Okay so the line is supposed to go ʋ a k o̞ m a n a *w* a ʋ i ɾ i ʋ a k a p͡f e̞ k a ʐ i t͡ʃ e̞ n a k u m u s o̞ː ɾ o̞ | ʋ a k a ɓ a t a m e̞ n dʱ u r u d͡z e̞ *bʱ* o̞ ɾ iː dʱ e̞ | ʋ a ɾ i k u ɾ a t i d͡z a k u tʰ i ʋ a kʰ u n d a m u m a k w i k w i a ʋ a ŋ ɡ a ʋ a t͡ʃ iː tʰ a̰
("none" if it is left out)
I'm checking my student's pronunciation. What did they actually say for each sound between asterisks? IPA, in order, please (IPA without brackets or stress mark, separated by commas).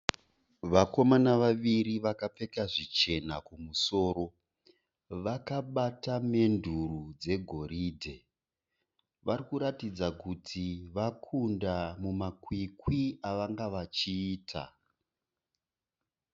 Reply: ʋ, ɡʱ